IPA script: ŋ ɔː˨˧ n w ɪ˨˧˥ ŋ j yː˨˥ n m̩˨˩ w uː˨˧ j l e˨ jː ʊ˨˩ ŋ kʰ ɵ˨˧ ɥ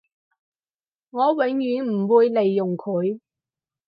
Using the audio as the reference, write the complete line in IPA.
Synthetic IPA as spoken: ŋ ɔː˨˧ w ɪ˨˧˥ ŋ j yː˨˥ n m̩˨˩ w uː˨˧ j l e˨ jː ʊ˨˩ ŋ kʰ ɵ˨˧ ɥ